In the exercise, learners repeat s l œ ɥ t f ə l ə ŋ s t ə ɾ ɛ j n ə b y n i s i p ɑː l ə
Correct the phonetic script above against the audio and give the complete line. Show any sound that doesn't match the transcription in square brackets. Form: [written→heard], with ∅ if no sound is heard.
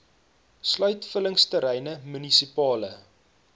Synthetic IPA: s l œ ɥ t f ə l ə ŋ s t ə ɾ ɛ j n ə [b→m] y n i s i p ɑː l ə